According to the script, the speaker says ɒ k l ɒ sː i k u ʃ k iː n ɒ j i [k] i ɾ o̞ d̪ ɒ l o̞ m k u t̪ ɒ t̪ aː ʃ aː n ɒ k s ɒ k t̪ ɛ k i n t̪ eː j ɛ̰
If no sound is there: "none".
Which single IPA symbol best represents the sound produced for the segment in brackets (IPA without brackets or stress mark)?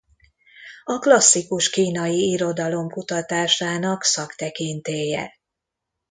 none